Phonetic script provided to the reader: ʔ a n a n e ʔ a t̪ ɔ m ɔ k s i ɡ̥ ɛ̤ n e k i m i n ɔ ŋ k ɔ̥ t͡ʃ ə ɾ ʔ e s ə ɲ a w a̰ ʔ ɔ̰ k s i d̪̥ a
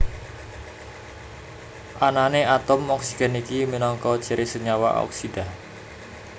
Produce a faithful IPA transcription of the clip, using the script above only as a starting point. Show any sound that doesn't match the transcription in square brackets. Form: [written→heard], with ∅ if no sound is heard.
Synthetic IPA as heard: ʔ a n a n e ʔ a t̪ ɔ m ɔ k s i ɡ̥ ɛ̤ n [e→i] k i m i n ɔ ŋ k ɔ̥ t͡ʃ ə ɾ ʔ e s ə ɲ a w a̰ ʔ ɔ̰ k s i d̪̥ a